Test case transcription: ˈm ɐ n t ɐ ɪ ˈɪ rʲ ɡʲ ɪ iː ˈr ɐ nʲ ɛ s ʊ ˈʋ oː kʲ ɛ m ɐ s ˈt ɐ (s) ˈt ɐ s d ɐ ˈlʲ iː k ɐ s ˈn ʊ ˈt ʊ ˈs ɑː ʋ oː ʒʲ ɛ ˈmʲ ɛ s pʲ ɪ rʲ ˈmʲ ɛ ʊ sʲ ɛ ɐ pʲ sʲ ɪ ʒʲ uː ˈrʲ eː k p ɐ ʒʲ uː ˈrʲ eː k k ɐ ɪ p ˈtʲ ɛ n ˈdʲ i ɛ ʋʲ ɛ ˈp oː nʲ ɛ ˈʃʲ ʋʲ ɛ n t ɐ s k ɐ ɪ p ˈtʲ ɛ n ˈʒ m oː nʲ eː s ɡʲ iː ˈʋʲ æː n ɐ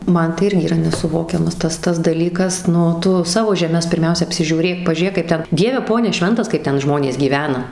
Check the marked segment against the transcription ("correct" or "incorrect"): correct